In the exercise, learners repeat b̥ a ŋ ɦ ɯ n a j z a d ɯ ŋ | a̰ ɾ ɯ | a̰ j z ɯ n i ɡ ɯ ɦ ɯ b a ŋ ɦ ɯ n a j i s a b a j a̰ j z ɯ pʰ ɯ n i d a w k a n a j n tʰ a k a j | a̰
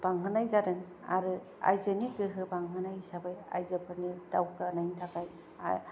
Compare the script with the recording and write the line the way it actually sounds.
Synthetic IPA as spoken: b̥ a ŋ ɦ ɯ n a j z a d ɯ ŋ | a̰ ɾ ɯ | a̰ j z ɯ n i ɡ ɯ ɦ ɯ b a ŋ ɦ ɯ n a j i s a b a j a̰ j z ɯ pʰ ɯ n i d a w k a n a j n tʰ a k a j | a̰

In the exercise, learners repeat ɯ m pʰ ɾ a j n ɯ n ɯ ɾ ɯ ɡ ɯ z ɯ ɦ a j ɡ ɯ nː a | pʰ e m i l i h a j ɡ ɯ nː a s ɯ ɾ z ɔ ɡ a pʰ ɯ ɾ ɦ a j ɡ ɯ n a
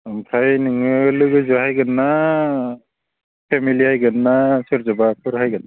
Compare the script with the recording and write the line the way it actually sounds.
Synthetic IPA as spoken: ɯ m pʰ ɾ a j n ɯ ŋ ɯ l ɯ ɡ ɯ z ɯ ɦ a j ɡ ɯ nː a | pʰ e m i l i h a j ɡ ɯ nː a s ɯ ɾ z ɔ b a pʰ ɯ ɾ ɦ a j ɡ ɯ n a

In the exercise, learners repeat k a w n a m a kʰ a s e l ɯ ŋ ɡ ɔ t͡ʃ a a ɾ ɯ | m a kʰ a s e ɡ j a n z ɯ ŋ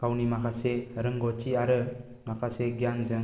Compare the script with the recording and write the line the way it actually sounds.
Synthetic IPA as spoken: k a w n i m a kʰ a s e ɾ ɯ ŋ ɡ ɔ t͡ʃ i a ɾ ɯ | m a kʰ a s e ɡ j a n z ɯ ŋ

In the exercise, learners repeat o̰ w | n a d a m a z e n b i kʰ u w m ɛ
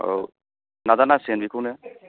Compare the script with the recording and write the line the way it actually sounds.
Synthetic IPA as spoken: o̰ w | n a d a n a s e n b i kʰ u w n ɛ

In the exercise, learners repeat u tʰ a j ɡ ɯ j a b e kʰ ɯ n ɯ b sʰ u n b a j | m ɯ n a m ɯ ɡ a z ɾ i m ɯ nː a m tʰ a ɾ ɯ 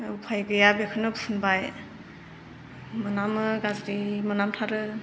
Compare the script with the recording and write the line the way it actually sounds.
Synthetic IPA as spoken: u pʰ a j ɡ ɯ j a b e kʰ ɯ n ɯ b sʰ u n b a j | m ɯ n a m ɯ ɡ a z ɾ i m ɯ n a m tʰ a ɾ ɯ

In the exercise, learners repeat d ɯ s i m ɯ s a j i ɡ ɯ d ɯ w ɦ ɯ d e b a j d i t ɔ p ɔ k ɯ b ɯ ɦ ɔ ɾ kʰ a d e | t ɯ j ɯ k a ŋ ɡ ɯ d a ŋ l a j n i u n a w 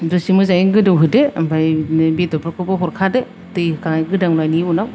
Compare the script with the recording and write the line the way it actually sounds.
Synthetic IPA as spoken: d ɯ s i m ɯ z a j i ɡ ɯ d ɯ w ɦ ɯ d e b a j b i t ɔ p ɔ k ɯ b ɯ ɦ ɔ ɾ kʰ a d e | t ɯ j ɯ k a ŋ ɡ ɯ d a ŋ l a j n i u n a w

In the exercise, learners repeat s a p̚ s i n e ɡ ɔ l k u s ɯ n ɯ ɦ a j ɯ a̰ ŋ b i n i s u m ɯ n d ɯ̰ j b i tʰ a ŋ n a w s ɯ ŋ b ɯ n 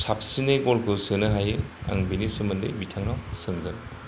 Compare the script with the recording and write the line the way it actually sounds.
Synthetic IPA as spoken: s a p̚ s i n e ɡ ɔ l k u s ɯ n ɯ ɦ a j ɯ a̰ ŋ b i n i s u m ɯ n d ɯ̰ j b i tʰ a ŋ n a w s ɯ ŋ ɡ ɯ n

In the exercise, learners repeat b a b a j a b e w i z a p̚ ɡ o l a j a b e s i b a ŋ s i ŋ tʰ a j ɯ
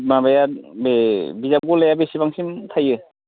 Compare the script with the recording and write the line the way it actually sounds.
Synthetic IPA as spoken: m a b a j a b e b i z a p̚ ɡ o l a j a b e s i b a ŋ s i m tʰ a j ɯ

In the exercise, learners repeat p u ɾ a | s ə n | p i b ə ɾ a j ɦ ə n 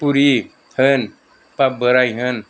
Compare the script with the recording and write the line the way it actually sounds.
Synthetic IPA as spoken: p u ɾ i | h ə n | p a b ə ɾ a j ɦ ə n

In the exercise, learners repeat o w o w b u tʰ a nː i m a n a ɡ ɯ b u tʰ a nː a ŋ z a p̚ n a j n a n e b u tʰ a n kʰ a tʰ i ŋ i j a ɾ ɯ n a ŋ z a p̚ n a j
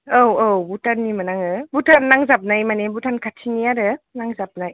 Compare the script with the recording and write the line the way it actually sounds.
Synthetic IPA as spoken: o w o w b u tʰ a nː i m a n a ŋ ɯ b u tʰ a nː a ŋ z a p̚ n a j m a n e b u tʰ a n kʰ a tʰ i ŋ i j a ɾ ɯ n a ŋ z a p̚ n a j

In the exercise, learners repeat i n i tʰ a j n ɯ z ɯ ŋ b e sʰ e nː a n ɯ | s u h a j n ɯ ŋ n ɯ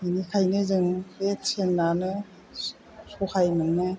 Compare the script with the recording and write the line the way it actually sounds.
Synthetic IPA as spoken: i n i kʰ a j n ɯ z ɯ ŋ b e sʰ e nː a n ɯ | s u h a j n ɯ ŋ n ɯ

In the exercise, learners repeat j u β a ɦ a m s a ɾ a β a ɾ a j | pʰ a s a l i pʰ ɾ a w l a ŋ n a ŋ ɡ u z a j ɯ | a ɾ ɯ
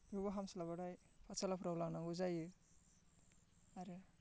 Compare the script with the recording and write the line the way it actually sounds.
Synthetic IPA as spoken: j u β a ɦ a m s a l a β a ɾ a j | pʰ a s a l a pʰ ɾ a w l a ŋ n a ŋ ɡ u z a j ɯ | a ɾ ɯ

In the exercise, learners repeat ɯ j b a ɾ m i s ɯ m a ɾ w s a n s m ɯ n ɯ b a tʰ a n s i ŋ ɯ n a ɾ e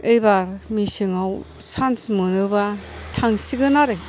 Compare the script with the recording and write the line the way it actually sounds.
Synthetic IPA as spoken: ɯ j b a ɾ m i s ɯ ŋ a w s a n s m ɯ n ɯ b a tʰ a ŋ s i ɡ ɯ n a ɾ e

